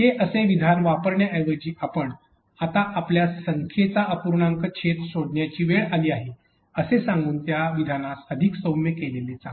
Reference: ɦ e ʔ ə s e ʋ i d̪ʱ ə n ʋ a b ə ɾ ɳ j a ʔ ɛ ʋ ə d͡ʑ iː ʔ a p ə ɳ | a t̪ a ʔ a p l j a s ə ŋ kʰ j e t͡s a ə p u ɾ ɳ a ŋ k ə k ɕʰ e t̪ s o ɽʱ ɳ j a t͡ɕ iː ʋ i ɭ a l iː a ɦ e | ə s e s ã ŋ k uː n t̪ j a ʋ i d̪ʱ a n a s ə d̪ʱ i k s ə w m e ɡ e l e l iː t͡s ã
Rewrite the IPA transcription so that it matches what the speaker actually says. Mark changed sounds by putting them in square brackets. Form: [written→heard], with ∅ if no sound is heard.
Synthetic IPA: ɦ e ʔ ə s e ʋ i d̪ʱ [ə→a] n ʋ a [b→p] ə ɾ ɳ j a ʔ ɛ ʋ ə d͡ʑ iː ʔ a p ə ɳ | a t̪ a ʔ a p l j a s ə ŋ kʰ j e t͡s a ə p u ɾ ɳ a ŋ k ə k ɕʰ e t̪ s o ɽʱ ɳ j a t͡ɕ iː ʋ [i→e] ɭ a l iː a ɦ e | ə s e s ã ŋ [k→ɡ] uː n t̪ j a ʋ i d̪ʱ a n a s ə d̪ʱ i k s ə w m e [ɡ→k] e l e l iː t͡s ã

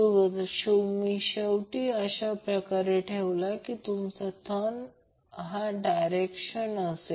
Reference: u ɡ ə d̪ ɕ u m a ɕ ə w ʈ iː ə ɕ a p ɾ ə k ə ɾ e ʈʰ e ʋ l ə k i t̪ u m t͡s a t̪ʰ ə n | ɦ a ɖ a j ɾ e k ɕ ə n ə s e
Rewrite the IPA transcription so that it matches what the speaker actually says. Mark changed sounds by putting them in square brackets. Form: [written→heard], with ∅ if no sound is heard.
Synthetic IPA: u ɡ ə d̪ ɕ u m [a→i] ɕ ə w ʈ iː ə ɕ a p ɾ ə k [ə→a] ɾ e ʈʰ e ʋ l [ə→a] k i t̪ u m t͡s a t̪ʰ ə n | ɦ a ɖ a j ɾ e k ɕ ə n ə s e

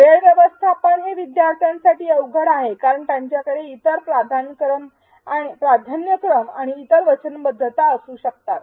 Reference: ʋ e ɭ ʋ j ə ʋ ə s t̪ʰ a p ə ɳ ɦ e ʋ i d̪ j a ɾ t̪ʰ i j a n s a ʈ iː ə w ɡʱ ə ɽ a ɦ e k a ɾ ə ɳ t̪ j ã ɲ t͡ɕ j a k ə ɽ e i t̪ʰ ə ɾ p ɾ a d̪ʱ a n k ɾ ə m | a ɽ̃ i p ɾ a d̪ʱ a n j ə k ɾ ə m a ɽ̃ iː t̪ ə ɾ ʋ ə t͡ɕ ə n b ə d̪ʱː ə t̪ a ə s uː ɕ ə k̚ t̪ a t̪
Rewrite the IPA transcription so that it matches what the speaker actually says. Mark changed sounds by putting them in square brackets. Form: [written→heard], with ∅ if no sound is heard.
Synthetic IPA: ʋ e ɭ ʋ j ə ʋ ə s t̪ʰ a p ə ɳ ɦ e ʋ i d̪ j a ɾ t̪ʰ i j a n s a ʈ iː ə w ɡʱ ə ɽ a ɦ e k a ɾ ə ɳ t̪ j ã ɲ t͡ɕ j a k ə ɽ e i [t̪ʰ→t̪] ə ɾ p ɾ a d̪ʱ a n k ɾ ə m | a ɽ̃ i p ɾ a d̪ʱ a n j ə k ɾ ə m a ɽ̃ iː t̪ ə ɾ ʋ ə t͡ɕ ə n b ə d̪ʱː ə t̪ a ə s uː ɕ ə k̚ t̪ a t̪

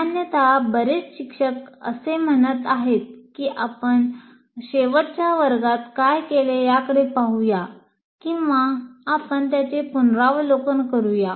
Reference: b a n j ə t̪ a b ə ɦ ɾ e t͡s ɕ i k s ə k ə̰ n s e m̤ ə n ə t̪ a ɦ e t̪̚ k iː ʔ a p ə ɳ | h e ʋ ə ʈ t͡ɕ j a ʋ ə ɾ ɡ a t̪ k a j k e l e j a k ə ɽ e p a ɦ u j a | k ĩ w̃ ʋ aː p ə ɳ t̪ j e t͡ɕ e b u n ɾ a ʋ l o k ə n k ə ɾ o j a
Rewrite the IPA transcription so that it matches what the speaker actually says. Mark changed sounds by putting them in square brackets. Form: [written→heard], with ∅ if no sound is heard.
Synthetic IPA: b a n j ə t̪ a b ə [ɦ→∅] ɾ e t͡s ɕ i k [s→ʂ] ə k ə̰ [n→∅] s e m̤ ə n ə t̪ a ɦ e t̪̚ k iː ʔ a p ə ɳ | [h→ɕ] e ʋ ə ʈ t͡ɕ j a ʋ ə ɾ ɡ a t̪ k a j k e l e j a k ə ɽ e p a ɦ u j a | k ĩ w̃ ʋ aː p ə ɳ t̪ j [e→a] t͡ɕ e [b→p] u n ɾ a ʋ l o k ə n k ə ɾ [o→u] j a

